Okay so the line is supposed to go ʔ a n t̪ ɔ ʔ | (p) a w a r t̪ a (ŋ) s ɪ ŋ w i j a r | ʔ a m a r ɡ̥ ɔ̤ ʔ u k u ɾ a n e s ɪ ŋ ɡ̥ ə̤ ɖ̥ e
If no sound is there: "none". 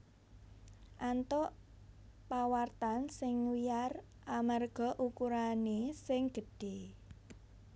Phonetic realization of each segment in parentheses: p, n

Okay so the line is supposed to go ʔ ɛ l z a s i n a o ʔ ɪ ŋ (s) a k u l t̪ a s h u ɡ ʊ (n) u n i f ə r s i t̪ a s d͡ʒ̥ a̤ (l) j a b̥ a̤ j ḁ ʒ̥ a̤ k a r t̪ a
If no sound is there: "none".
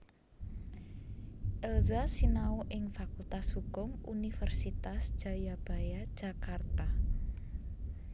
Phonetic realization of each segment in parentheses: f, ŋ, none

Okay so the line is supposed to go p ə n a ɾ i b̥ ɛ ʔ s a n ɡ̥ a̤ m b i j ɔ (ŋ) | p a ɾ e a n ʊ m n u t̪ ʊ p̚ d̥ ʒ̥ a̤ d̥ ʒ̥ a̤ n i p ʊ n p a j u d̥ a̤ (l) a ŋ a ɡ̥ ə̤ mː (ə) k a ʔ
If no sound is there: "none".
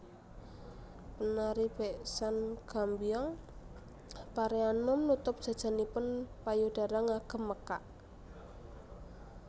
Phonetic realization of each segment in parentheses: ŋ, ɾ, ə

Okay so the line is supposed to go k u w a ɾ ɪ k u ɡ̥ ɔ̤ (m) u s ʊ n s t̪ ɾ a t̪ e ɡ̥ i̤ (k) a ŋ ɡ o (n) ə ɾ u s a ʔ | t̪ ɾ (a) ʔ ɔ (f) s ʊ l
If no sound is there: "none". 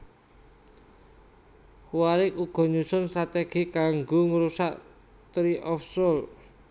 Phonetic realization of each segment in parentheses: ɲ, k, ŋ, i, f

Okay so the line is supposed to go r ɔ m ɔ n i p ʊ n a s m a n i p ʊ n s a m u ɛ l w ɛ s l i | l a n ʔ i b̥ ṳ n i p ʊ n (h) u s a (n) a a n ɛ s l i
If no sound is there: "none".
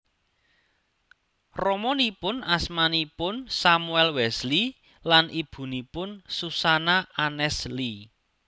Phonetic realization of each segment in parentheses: s, n

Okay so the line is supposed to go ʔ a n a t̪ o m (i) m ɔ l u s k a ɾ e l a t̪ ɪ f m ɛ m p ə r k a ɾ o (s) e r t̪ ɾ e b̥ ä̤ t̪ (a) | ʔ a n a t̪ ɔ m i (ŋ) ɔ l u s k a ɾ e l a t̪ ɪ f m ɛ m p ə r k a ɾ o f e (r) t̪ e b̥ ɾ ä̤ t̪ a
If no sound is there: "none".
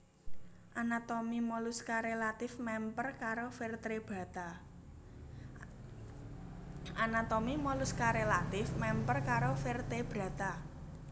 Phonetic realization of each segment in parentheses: i, f, a, m, r

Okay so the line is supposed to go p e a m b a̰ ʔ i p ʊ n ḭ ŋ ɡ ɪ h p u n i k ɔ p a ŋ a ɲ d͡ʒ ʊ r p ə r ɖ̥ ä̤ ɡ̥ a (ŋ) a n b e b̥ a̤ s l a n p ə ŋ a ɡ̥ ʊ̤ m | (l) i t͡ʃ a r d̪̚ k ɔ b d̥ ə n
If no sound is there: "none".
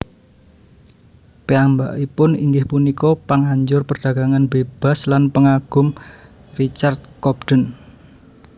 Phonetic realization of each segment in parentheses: ŋ, r

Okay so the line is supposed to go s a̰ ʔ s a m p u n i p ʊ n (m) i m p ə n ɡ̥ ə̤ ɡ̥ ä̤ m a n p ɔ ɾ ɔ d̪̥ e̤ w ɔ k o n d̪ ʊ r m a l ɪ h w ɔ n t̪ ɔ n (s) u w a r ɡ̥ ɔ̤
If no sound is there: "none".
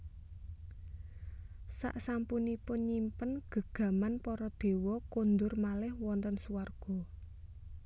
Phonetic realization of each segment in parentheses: ɲ, s

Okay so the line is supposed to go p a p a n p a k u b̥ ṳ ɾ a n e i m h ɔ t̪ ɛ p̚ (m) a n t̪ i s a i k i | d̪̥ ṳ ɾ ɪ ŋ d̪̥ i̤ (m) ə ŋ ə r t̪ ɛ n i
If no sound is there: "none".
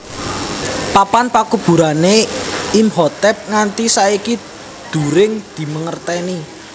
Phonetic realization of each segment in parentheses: ŋ, m

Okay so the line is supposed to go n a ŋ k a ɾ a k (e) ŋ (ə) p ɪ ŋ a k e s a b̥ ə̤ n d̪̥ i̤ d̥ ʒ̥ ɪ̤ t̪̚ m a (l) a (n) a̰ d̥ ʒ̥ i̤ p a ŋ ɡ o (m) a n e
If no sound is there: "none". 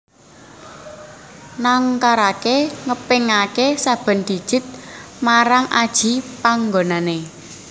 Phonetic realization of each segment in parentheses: e, ə, ɾ, ŋ, n

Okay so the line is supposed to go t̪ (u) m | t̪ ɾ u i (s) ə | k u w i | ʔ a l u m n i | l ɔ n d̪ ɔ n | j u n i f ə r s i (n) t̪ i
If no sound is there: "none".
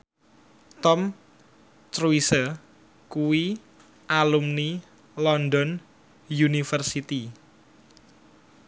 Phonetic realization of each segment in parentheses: ɔ, s, none

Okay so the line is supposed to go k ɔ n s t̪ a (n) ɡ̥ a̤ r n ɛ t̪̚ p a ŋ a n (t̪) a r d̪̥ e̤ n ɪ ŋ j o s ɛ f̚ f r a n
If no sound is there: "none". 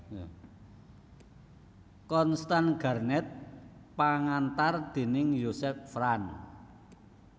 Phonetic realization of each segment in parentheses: n, t̪

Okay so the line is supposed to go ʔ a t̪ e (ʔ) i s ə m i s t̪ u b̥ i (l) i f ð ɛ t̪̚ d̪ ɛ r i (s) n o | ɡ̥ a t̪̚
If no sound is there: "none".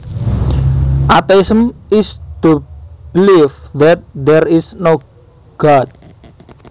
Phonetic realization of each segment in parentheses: none, l, s

